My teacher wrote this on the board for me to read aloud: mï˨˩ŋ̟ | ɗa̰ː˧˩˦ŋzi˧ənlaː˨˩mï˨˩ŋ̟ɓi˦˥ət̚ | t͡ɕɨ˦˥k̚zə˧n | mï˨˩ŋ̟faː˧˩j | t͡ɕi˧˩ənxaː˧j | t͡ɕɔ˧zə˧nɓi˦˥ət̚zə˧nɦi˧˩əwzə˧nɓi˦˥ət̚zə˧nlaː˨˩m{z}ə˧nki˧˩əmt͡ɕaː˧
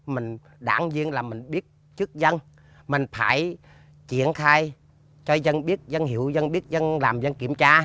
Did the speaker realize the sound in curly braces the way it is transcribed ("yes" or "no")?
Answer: yes